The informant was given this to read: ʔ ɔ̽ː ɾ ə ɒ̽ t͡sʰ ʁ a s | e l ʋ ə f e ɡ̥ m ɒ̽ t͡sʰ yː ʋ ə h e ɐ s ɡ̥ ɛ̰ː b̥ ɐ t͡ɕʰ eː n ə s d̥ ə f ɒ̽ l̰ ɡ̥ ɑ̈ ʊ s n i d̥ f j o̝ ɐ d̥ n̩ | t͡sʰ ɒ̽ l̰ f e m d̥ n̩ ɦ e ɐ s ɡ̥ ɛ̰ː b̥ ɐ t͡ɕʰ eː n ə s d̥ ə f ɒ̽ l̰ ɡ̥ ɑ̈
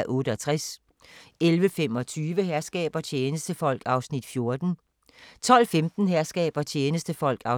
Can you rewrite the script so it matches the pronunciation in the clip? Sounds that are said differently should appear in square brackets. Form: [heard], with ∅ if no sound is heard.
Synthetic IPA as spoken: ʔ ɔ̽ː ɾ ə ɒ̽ t͡sʰ ʁ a s | e l ʋ ə f e [∅] m ɒ̽ t͡sʰ yː ʋ ə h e ɐ s ɡ̥ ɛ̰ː b̥ ɐ t͡ɕʰ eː n ə s d̥ ə f ɒ̽ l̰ ɡ̥ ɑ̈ ʊ s n i d̥ f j o̝ ɐ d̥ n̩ | t͡sʰ ɒ̽ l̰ f e m d̥ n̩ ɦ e ɐ s ɡ̥ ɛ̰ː b̥ ɐ t͡ɕʰ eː n ə s d̥ ə f ɒ̽ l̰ ɡ̥ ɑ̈